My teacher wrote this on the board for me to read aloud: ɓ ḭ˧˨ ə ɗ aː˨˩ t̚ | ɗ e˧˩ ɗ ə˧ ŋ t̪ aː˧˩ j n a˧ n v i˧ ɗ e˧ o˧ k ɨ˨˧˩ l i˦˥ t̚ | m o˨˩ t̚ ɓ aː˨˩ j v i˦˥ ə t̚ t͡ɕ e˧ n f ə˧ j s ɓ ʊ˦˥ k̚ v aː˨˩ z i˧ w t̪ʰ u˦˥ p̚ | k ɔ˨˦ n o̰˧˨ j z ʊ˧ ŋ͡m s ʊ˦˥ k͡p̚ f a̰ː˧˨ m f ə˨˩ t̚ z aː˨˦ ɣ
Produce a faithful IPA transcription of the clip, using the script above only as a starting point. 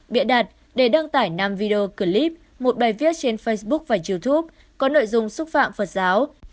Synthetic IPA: ɓ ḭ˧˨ ə ɗ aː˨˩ t̚ | ɗ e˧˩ ɗ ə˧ ŋ t̪ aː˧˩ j n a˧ m v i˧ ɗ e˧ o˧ k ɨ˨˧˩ l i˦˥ p̚ | m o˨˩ t̚ ɓ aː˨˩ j v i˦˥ ə t̚ t͡ɕ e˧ n f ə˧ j s ɓ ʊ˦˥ k̚ v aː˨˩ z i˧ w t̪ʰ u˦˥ p̚ | k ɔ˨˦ n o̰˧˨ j z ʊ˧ ŋ͡m s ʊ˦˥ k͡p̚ f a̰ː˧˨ m f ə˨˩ t̚ z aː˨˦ w